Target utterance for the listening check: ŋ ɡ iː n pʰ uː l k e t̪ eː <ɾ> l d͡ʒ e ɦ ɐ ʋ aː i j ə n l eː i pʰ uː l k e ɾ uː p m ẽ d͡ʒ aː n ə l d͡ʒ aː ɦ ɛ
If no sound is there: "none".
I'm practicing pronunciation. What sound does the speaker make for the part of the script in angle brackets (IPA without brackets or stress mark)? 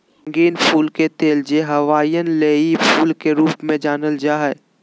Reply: none